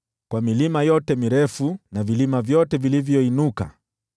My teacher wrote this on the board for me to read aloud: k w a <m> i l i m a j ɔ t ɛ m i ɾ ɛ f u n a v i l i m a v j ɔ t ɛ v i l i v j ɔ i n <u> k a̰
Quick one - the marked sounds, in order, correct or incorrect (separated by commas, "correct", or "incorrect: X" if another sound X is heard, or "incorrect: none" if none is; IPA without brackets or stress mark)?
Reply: correct, correct